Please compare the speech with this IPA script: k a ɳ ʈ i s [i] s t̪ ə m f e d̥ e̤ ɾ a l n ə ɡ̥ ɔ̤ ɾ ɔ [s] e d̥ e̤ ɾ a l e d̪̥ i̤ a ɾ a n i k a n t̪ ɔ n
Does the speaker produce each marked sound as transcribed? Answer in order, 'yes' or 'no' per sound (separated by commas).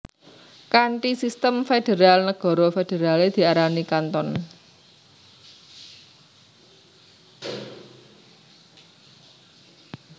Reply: yes, no